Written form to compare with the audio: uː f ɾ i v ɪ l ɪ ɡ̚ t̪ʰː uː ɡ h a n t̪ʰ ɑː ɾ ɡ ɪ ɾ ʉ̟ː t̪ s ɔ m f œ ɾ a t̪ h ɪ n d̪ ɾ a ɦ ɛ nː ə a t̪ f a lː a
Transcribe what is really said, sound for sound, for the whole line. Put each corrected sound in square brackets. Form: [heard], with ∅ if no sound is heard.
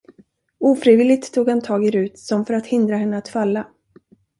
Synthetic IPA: uː f ɾ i v ɪ l ɪ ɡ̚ t̪ʰː uː ɡ h a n t̪ʰ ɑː [∅] ɡ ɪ ɾ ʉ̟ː t̪ s ɔ m f œ ɾ a t̪ h ɪ n d̪ ɾ a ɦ ɛ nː ə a t̪ f a lː a